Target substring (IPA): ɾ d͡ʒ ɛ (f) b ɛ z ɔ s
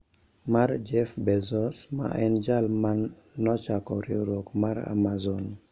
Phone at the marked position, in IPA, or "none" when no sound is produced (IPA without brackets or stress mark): f